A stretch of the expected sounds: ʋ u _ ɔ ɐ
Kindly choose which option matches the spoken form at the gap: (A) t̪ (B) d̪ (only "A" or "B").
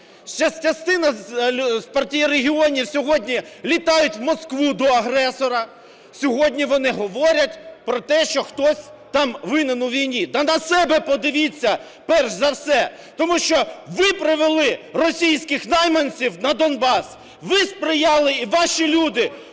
B